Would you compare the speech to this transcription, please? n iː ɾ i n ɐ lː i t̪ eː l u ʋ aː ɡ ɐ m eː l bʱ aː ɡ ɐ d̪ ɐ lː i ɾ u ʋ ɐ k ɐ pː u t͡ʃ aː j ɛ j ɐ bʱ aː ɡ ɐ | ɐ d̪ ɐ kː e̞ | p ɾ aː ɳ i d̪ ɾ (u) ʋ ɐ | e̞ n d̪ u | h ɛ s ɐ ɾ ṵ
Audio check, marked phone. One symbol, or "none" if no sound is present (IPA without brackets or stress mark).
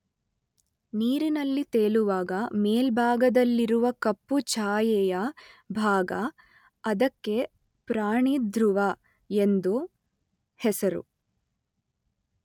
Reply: u